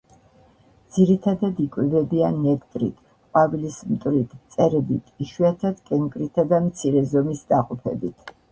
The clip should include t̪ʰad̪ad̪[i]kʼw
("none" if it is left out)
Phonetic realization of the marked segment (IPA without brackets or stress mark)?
i